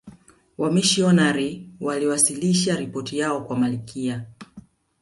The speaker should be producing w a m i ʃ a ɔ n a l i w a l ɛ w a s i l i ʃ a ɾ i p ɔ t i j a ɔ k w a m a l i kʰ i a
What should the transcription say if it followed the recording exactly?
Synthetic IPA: w a m i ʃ i ɔ n a ɾ i w a l i w a s i l i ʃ a ɾ i p ɔ t i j a ɔ k w a m a l i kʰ i a

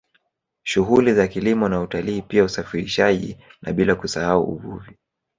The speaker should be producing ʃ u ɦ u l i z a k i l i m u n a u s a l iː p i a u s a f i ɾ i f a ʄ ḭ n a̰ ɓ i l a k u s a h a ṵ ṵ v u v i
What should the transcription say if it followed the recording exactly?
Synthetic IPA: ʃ u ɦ u l i z a k i l i m ɔ n a u t a l iː p i a u s a f i ɾ i ʃ a ʄ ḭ n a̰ ɓ i l a k u s a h a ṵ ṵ v u v i

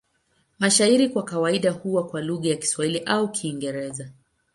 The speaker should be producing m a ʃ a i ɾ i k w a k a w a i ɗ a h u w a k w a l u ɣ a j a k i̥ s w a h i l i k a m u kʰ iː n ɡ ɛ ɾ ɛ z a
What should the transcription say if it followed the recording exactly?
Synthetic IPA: m a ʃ a i ɾ i k w a k a w a i ɗ a h u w a k w a l u ɣ a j a k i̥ s w a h i l i ʔ a u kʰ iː ŋ ɡ ɛ ɾ ɛ z a

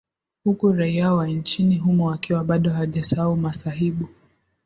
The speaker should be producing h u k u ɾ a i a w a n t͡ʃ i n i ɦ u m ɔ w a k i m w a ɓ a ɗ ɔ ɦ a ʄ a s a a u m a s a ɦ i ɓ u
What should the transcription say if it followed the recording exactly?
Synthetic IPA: h u k u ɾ a i a w a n t͡ʃ i n i ɦ u m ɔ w a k i w a ɓ a ɗ ɔ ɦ a ʄ a s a a u m a s a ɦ i ɓ u

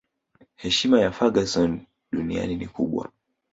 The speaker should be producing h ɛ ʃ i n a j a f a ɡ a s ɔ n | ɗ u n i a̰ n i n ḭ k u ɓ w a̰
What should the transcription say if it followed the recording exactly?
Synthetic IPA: h ɛ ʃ i m a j a f a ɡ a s ɔ n | ɗ u n i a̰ n i n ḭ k u ɓ w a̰

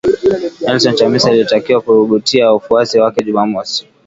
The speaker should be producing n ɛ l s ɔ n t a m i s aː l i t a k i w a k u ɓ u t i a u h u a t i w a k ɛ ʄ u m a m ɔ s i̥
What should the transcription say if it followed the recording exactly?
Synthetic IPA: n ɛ l s ɔ n t a m i s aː l i t a k i w a k u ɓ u t i a u f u a s i w a k ɛ ʄ u m a m ɔ s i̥

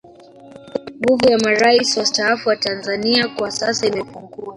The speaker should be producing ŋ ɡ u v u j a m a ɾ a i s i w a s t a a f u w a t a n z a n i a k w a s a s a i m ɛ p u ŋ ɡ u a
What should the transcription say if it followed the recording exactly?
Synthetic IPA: ŋ ɡ u v u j a m a ɾ a i s i w a s t a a f u w a t a n z a n i a k w a s a s a i m ɛ p u ŋ ɡ u a

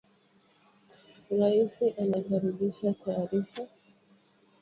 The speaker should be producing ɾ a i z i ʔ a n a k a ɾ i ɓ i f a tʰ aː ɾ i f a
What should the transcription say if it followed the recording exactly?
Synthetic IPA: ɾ a i s i ʔ a n a k a ɾ i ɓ i ʃ a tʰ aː ɾ i f a

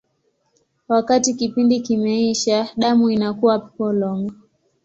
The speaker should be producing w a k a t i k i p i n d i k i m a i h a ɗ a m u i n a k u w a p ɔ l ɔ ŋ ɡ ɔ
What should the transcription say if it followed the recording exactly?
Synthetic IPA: w a k a t i k i p i n d i k i m ɛ i ʃ a ɗ a m u i n a k u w a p ɔ l ɔ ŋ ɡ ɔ

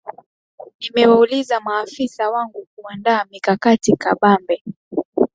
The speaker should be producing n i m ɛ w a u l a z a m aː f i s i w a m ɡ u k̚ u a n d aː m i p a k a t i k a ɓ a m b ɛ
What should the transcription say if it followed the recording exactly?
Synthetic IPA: n i m ɛ w a u l i z a m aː f i s a w a ŋ ɡ u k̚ u a n d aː m i k a k a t i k a ɓ a m b ɛ

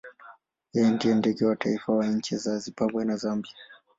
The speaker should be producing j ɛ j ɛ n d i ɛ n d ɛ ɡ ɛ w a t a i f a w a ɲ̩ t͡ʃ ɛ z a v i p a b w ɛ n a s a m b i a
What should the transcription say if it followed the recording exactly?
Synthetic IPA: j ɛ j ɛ n d i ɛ n d ɛ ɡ ɛ w a t a i f a w a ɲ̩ t͡ʃ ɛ z a z i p a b w ɛ n a z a m b i a

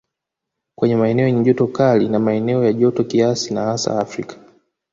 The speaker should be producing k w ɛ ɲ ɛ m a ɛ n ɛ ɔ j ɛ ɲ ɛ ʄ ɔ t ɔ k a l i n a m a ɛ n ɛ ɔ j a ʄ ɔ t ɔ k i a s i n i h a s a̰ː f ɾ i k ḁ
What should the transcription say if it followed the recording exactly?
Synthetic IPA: k w ɛ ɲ ɛ m a ɛ n ɛ ɔ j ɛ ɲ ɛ ʄ ɔ t ɔ k a l i n a m a ɛ n ɛ ɔ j a ʄ ɔ t ɔ k i a s i n a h a s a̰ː f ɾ i k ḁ

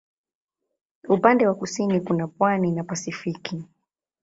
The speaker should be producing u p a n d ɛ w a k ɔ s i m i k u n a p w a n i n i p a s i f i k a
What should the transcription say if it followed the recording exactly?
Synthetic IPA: u p a n d ɛ w a k u s i n i k u n a p w a n i n a p a s i f i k i

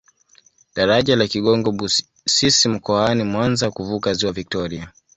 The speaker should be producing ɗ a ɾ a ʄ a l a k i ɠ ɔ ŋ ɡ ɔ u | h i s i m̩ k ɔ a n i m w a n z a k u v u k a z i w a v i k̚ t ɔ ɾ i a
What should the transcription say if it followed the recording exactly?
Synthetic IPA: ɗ a ɾ a ʄ a l a k i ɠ ɔ ŋ ɡ ɔ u | s i s i m̩ k ɔ a n i m w a n z a k u v u k a z i w a v i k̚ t ɔ ɾ i a

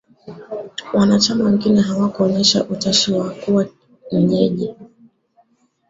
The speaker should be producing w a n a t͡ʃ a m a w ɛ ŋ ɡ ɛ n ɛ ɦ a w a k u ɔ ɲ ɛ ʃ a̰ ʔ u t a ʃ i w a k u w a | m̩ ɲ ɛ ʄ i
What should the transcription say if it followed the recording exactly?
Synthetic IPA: w a n a t͡ʃ a m a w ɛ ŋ ɡ i n ɛ ɦ a w a k u ɔ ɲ ɛ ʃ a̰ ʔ u t a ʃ i w a k u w a | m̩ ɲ ɛ ʄ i

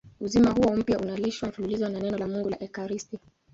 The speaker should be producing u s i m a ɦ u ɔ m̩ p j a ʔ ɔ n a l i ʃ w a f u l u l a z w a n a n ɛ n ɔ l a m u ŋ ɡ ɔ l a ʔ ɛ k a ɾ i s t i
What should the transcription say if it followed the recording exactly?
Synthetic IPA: u z i m a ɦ u ɔ m̩ p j a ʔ u n a l i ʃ w a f u l u l i z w a n a n ɛ n ɔ l a m u ŋ ɡ u l a ʔ ɛ k a ɾ i s t i

